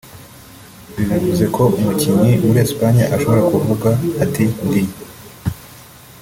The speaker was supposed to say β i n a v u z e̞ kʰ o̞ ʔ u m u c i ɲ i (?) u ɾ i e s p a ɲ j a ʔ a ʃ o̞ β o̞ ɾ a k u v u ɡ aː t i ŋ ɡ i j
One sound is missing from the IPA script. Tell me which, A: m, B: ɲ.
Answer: A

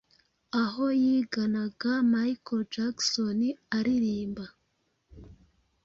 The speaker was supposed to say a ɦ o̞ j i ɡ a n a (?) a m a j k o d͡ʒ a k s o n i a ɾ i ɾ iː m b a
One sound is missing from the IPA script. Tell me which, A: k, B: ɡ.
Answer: B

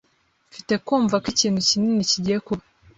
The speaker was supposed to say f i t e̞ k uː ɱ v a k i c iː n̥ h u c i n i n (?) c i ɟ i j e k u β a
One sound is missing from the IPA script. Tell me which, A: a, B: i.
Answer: B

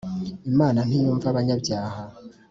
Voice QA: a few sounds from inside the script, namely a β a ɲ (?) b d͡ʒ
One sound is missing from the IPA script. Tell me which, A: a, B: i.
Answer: A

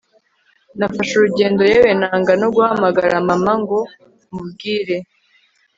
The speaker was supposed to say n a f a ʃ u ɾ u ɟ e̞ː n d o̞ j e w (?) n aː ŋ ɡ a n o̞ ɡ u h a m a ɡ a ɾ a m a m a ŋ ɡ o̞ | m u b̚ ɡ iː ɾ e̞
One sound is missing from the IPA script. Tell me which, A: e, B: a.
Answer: A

